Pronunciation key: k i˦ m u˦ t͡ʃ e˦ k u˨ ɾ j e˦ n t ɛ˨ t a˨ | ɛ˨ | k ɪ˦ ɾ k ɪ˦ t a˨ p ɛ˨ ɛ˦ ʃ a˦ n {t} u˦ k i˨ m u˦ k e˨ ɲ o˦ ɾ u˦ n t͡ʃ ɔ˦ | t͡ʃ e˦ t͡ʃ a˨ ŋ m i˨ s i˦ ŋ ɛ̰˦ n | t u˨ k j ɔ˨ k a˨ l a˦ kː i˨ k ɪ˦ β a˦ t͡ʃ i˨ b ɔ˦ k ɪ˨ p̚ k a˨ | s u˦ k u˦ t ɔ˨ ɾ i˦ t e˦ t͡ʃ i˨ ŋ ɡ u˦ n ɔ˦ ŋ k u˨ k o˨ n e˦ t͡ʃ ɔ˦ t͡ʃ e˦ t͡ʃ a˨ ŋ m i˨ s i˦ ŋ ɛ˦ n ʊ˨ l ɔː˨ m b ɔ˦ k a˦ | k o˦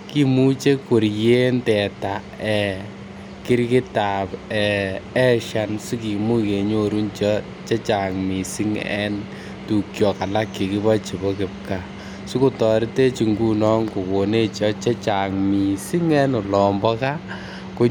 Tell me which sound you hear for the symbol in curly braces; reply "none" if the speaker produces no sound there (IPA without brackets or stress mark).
s